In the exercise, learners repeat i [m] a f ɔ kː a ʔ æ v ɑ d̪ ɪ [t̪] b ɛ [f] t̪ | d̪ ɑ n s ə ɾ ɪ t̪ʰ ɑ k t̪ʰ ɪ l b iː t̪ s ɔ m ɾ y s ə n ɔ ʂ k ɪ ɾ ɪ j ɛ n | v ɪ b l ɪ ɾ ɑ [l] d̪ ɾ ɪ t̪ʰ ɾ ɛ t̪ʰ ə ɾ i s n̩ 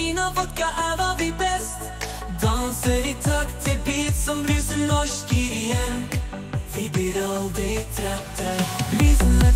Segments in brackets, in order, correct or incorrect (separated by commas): incorrect, incorrect, incorrect, correct